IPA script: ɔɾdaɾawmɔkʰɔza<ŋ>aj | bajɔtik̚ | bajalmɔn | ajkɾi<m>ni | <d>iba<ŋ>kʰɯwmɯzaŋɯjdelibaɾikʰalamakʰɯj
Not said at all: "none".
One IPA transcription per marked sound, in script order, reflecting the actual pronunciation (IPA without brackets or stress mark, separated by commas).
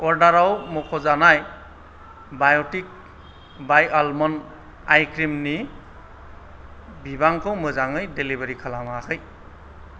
n, m, b, ŋ